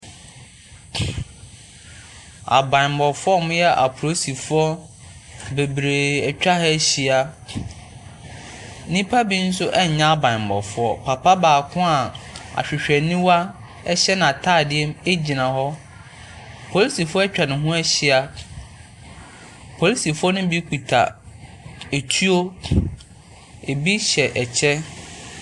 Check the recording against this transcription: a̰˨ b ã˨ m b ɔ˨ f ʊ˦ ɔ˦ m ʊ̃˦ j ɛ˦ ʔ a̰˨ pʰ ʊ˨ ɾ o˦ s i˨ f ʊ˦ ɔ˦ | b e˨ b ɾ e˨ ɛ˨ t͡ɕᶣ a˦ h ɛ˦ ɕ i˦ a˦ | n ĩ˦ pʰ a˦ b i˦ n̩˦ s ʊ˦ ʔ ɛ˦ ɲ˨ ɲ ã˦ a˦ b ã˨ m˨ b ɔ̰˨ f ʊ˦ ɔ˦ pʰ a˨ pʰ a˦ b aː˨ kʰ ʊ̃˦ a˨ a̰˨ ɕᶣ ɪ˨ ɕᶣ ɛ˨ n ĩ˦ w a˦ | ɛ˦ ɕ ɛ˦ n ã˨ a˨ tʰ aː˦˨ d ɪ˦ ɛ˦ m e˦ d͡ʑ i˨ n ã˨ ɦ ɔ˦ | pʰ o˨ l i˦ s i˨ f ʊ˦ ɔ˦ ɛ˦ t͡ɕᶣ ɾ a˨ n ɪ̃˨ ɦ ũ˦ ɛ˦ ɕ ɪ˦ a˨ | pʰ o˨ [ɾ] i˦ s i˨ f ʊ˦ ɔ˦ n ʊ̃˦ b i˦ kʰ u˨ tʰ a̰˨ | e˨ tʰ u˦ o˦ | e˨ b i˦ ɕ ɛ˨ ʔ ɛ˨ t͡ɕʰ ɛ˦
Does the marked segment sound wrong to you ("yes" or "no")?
yes